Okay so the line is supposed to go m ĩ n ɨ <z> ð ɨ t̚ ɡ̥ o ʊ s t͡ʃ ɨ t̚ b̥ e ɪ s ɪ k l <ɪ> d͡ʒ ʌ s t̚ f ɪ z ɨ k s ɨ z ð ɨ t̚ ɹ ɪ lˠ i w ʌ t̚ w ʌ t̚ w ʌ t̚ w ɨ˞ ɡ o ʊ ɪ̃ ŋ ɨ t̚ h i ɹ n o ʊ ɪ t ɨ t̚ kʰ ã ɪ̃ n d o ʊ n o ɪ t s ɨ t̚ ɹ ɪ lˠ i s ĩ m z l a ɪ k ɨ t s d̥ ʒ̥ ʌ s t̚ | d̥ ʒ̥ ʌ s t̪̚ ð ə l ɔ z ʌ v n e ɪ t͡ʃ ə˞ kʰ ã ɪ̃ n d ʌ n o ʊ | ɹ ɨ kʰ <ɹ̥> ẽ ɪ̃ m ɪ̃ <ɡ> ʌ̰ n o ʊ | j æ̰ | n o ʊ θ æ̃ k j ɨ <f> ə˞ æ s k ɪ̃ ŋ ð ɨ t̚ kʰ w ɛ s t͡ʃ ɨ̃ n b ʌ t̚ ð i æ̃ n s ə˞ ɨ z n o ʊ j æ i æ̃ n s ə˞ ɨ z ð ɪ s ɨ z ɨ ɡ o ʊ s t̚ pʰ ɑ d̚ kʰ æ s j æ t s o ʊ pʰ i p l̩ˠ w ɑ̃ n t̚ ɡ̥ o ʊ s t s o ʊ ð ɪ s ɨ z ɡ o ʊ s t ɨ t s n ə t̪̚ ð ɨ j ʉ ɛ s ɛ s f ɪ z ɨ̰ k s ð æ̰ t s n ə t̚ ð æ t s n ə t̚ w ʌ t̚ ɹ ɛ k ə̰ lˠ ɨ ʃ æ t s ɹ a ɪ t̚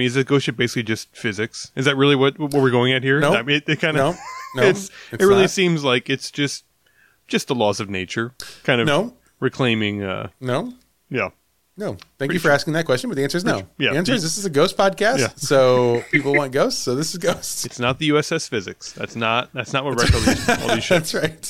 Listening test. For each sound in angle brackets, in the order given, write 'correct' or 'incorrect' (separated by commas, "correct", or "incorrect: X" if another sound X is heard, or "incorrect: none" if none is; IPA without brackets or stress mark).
correct, incorrect: i, incorrect: l̥, incorrect: ŋ, correct